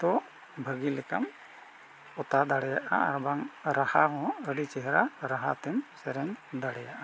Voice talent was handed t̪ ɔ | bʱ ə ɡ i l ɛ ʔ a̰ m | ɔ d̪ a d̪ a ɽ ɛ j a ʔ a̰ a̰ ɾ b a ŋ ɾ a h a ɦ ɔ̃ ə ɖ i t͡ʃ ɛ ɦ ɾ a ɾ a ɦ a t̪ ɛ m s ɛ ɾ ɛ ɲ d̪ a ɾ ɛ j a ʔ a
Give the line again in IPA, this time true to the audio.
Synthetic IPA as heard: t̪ ɔ | bʱ ə ɡ i l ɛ k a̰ m | ɔ t̪ a d̪ a ɽ ɛ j a ʔ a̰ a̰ ɾ b a ŋ ɾ a h a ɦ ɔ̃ ə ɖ i t͡ʃ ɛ ɦ ɾ a ɾ a ɦ a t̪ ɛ m s ɛ ɾ ɛ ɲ d̪ a ɽ ɛ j a ʔ a